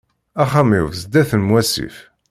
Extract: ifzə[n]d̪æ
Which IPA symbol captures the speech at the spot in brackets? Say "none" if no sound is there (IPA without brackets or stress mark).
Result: none